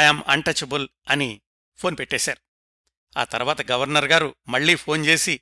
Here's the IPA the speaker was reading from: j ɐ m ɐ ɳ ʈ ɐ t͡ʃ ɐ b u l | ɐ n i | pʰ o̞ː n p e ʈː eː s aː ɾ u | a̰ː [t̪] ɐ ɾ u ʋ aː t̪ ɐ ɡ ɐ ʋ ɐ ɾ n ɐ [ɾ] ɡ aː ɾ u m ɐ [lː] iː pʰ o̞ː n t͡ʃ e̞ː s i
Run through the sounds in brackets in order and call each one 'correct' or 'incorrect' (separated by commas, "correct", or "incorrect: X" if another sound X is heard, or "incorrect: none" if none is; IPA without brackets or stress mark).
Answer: correct, correct, incorrect: ɭː